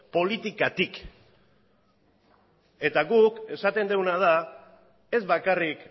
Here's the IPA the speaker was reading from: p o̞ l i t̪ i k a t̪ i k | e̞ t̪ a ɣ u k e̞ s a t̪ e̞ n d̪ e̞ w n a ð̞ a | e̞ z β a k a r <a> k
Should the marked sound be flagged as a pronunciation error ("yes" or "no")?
yes